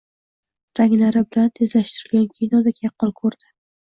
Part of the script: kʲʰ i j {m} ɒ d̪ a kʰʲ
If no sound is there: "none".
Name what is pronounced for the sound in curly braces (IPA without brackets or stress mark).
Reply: n